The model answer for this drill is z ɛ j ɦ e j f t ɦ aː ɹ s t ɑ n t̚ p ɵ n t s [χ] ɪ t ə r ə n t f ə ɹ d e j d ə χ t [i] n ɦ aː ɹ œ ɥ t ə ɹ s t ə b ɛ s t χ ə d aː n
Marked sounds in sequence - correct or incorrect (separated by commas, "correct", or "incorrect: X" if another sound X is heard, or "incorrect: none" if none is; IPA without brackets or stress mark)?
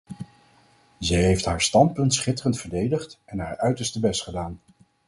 correct, incorrect: ɛ